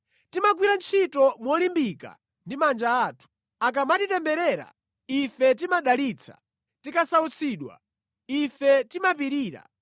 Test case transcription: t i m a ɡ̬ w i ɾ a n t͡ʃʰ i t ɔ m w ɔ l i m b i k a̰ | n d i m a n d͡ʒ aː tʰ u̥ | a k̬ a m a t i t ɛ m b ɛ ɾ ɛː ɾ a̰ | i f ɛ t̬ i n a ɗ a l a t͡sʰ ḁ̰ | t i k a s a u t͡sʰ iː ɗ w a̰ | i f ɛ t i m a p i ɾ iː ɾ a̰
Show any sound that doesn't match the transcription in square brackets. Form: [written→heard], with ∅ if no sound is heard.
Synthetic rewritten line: t i m a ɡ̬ w i ɾ a n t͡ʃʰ i t ɔ m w ɔ l i m b i k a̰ | n d i m a n d͡ʒ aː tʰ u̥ | a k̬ a m a t i t ɛ m b ɛ ɾ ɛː ɾ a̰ | i f ɛ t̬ i [n→m] a ɗ a l [a→i] t͡sʰ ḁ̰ | t i k a s a u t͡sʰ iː ɗ w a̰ | i f ɛ t i m a p i ɾ iː ɾ a̰